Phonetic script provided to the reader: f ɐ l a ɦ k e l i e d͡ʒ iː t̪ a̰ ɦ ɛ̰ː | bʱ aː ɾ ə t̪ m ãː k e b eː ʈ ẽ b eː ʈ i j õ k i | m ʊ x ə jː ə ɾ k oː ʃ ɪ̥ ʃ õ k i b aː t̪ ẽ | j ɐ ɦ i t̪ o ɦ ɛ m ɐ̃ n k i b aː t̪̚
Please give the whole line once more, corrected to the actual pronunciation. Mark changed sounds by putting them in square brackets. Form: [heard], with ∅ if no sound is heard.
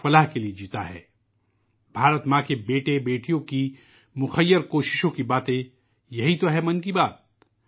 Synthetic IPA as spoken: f ɐ l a ɦ k e l i e d͡ʒ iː t̪ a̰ ɦ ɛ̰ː | bʱ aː ɾ ə t̪ m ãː k e b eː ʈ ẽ b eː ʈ i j õ k i | m ʊ x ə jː ə ɾ k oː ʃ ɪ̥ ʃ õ k i b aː t̪ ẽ | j ɐ ɦ i t̪ o ɦ ɛ m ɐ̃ n k i b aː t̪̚